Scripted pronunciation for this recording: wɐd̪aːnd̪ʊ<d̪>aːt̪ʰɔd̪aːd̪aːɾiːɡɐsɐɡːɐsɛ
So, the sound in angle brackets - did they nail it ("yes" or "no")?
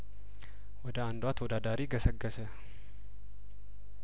no